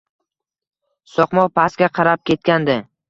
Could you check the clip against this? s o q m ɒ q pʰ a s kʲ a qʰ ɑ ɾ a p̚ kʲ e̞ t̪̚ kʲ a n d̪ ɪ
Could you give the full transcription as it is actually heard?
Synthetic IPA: s ɒ q m ɒ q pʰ a s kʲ a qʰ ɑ ɾ a p̚ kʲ e̞ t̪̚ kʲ a n d̪ ɪ

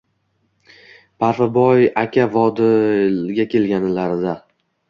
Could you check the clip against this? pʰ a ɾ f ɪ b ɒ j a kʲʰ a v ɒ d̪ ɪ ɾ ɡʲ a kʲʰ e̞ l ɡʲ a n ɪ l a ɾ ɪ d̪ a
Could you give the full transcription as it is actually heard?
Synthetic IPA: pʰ a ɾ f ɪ b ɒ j a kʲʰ a v ɒ d̪ ɪ ɡʲ a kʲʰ e̞ l ɡʲ a n ɪ l a ɾ ɪ d̪ a

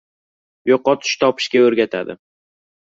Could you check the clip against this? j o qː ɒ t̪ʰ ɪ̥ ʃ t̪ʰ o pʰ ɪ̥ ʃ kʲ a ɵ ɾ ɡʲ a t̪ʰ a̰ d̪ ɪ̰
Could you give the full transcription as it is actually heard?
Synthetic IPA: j o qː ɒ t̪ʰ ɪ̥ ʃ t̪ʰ ɒ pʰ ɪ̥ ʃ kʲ a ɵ ɾ ɡʲ a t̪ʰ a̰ d̪ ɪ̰

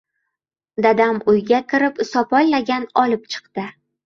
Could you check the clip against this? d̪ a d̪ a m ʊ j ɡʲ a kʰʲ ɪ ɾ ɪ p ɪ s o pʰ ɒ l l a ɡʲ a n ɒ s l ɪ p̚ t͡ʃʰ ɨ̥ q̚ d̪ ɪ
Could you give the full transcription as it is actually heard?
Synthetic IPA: d̪ a d̪ a m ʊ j ɡʲ a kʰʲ ɪ ɾ ɪ p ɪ s ɒ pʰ ɒ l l a ɡʲ a n ɒ l ɪ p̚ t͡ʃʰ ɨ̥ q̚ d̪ ɪ

